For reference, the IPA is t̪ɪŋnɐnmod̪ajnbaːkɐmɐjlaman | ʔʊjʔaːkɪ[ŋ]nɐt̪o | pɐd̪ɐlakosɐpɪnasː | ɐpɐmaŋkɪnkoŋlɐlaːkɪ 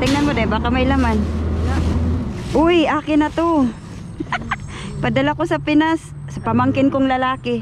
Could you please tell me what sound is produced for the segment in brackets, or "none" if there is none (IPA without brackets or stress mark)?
none